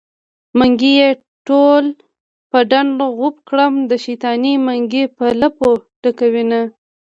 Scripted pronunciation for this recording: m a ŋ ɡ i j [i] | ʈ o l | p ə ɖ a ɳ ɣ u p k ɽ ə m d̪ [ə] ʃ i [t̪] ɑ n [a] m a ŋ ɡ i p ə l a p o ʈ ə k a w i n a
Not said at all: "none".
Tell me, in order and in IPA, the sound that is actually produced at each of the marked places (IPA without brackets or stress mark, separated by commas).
e, ə, t̪, i